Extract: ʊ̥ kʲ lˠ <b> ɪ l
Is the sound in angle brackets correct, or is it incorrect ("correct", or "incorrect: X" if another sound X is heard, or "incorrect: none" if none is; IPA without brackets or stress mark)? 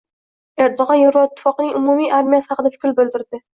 correct